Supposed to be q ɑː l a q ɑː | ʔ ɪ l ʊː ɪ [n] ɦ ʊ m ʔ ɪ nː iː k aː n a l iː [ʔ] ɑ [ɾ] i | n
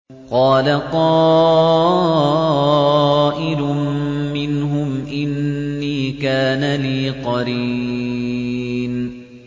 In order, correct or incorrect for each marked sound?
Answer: correct, incorrect, correct

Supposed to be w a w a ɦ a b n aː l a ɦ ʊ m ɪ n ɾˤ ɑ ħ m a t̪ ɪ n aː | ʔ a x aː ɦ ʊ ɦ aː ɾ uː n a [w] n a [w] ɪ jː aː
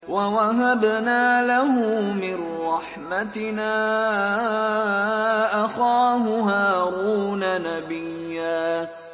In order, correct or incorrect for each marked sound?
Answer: incorrect, incorrect

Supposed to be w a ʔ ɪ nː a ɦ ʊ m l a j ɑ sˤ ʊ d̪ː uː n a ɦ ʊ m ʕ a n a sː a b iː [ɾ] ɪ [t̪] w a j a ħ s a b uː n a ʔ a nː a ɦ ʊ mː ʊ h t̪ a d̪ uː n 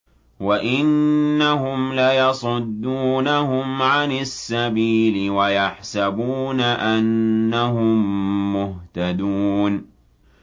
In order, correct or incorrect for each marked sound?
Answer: incorrect, incorrect

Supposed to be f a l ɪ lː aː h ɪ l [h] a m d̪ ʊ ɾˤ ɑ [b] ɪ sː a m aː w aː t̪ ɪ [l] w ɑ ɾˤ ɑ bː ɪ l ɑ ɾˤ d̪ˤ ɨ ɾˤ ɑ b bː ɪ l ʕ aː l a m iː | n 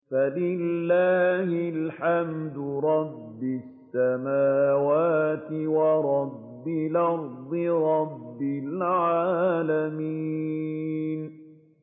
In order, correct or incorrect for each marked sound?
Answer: incorrect, incorrect, incorrect

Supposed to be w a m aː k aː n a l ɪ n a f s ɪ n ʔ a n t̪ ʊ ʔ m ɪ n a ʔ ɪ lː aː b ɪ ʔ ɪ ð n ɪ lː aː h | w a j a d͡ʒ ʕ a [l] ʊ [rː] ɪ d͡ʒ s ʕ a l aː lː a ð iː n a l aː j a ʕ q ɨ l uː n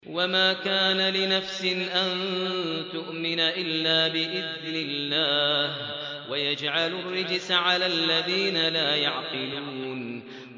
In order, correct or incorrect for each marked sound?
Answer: correct, correct

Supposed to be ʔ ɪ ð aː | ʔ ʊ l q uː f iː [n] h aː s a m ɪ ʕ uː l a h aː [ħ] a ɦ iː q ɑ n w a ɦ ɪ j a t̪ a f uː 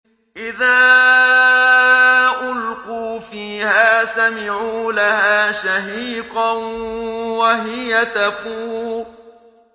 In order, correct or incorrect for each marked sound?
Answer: incorrect, incorrect

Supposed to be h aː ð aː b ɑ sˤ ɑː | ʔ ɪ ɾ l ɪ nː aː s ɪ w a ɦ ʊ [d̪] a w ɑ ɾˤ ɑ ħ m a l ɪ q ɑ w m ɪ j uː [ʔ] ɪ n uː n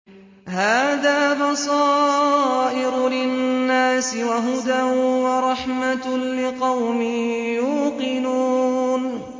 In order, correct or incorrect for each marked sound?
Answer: correct, incorrect

